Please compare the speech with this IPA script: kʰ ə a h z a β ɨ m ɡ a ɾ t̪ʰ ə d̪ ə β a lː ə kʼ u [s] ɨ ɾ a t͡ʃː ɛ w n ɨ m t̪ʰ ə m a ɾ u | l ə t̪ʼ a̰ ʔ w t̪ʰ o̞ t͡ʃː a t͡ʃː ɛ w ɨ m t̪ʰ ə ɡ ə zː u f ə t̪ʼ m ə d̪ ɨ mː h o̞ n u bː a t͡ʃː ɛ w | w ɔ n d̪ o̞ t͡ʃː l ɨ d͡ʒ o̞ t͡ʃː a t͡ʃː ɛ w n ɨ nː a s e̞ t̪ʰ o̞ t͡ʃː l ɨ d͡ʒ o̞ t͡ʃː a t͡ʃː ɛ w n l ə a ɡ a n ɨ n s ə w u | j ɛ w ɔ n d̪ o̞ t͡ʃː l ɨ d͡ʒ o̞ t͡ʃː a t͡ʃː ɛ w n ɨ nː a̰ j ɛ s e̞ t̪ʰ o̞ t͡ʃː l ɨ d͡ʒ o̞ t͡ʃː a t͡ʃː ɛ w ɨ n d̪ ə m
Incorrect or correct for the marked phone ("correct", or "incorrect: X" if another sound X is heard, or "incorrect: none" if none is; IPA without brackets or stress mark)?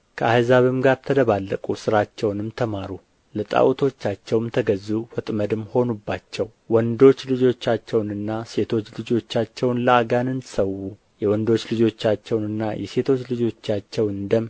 correct